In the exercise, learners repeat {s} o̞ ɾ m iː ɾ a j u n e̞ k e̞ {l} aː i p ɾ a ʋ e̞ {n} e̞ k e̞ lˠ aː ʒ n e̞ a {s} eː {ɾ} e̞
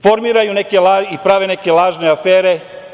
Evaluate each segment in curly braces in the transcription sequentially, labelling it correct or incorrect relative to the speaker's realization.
incorrect, correct, correct, incorrect, correct

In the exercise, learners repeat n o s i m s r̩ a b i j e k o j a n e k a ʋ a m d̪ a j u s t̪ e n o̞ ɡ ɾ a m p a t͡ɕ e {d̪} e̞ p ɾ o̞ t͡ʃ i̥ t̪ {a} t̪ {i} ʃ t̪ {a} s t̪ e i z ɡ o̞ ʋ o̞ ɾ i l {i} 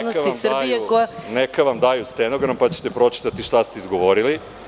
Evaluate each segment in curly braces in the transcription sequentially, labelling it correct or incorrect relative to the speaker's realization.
incorrect, correct, correct, correct, correct

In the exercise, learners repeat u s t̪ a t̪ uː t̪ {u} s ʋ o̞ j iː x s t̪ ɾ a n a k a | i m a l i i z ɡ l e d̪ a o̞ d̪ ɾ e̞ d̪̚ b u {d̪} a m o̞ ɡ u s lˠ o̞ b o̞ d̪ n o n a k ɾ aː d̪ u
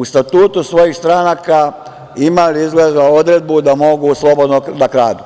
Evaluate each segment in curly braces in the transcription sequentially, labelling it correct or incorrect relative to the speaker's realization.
correct, correct

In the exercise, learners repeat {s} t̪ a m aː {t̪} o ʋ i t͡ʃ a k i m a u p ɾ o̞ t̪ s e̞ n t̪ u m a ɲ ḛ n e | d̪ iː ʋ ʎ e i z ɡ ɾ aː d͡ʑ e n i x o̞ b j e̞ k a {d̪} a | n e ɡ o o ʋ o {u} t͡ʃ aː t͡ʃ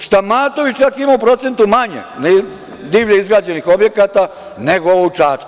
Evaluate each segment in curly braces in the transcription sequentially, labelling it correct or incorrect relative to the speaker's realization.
correct, correct, incorrect, correct

